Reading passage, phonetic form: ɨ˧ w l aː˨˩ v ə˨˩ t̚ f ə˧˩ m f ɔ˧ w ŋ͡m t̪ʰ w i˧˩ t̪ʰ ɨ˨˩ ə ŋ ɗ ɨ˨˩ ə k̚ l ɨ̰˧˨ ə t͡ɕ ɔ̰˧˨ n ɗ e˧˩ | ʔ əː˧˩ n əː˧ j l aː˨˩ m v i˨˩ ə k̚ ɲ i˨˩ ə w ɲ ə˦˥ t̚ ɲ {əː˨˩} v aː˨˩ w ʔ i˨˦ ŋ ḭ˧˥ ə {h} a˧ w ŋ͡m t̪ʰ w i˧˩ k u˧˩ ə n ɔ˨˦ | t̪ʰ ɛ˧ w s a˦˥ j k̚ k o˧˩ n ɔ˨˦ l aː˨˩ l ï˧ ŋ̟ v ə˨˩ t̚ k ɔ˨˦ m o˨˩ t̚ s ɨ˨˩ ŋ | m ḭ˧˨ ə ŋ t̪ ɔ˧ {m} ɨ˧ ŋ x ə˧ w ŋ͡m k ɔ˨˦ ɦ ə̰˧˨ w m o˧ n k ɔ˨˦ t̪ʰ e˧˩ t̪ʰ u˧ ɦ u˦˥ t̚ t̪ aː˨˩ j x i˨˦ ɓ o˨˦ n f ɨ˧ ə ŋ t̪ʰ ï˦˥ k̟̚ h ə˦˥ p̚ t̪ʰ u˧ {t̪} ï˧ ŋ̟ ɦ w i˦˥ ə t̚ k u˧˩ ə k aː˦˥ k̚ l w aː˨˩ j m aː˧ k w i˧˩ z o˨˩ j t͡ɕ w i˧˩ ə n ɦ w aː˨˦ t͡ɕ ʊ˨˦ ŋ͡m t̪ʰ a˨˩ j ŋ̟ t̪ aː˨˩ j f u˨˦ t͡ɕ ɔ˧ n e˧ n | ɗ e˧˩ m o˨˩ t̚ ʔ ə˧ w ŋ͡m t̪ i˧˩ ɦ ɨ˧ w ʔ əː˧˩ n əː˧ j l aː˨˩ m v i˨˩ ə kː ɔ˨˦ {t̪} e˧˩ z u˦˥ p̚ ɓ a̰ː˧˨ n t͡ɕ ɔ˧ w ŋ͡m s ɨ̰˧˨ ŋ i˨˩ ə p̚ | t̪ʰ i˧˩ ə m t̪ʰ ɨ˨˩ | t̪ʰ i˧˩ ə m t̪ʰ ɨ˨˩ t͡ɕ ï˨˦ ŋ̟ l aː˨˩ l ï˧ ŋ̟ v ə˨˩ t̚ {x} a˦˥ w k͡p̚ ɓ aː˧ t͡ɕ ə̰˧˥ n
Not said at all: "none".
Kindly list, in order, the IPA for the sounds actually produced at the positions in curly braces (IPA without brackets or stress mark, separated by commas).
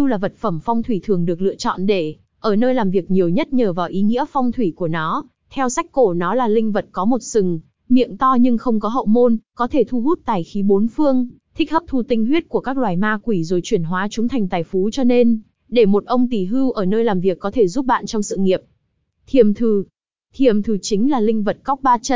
əː˨˩, f, ɲ, t̪, t̪ʰ, k